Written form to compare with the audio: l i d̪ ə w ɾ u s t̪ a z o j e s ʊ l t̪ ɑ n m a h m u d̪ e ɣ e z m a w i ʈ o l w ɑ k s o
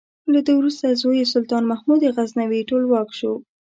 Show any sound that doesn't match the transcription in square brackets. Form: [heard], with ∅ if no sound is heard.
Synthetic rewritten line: l [a] d̪ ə w ɾ u s t̪ a z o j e s ʊ l t̪ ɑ n m a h m u d̪ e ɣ [a] z [n] a w i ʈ o l w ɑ k [ʃ] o